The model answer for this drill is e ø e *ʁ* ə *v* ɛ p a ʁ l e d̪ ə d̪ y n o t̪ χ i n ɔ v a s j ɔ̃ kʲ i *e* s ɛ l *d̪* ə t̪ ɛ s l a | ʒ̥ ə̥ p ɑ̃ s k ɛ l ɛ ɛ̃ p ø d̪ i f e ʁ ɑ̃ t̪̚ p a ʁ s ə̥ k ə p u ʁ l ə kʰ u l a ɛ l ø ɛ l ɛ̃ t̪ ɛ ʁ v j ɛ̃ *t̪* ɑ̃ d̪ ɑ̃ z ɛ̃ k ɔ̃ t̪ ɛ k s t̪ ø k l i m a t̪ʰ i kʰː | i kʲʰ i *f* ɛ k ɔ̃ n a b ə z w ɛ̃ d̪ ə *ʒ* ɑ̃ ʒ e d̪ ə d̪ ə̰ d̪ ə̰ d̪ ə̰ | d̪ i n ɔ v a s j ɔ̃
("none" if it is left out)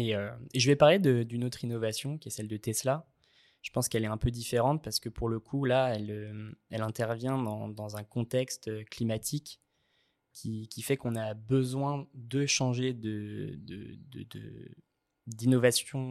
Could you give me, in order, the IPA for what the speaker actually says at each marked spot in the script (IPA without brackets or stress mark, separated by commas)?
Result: ʒ, v, ɛ, d̪, d̪, f, ʃ